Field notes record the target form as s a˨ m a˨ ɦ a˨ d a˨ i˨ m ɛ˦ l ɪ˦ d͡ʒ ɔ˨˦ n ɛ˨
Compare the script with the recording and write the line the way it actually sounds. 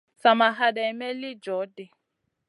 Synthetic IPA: s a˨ m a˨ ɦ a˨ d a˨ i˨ m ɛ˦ l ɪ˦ d͡ʒ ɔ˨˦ d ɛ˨